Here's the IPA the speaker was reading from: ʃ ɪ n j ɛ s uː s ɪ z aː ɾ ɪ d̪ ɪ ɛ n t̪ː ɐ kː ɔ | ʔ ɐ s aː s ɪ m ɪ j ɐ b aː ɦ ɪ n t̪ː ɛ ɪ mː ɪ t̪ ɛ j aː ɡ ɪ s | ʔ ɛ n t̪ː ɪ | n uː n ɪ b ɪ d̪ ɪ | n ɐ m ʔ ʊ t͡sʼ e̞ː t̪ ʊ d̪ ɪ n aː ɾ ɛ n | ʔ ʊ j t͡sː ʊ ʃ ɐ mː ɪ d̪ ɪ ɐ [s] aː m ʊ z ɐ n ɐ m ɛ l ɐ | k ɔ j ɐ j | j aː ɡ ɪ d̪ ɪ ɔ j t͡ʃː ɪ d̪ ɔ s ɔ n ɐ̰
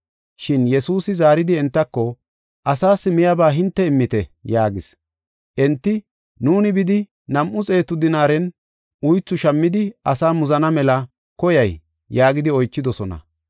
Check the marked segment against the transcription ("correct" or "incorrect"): correct